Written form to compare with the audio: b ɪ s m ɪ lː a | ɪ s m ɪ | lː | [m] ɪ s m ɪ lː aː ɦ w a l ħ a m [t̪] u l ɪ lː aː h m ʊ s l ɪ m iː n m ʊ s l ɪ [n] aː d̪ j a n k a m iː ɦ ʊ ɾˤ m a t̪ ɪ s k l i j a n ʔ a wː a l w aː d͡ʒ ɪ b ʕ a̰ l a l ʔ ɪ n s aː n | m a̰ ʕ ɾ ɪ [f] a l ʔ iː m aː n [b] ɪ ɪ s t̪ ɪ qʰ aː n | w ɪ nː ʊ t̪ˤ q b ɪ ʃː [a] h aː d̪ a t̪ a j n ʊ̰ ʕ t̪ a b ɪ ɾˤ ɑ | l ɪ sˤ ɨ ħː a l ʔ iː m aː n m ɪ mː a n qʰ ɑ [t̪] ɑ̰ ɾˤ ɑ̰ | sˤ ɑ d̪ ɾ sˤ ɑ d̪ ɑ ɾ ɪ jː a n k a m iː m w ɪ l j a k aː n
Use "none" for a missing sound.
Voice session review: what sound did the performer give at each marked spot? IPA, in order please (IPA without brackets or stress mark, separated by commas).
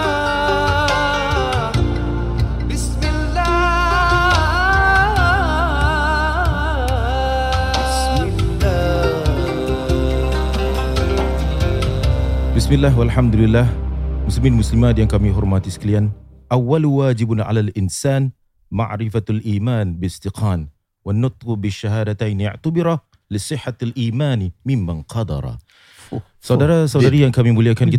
b, d̪, m, f, b, a, d̪